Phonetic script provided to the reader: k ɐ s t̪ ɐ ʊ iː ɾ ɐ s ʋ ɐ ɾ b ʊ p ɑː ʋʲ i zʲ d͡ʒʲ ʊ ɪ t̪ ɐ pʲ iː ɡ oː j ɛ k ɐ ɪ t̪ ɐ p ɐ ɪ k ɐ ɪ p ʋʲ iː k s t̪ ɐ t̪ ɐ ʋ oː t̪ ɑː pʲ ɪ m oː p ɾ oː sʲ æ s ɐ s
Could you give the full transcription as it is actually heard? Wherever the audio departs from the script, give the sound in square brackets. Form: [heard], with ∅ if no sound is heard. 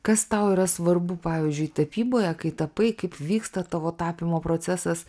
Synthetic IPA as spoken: k ɐ s t̪ ɐ ʊ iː ɾ ɐ s ʋ ɐ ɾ b ʊ p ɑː ʋʲ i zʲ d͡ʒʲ ʊ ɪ t̪ ɐ pʲ iː [b] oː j ɛ k ɐ ɪ t̪ ɐ p ɐ ɪ k ɐ ɪ p ʋʲ iː k s t̪ ɐ t̪ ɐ ʋ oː t̪ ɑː pʲ ɪ m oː p ɾ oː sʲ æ s ɐ s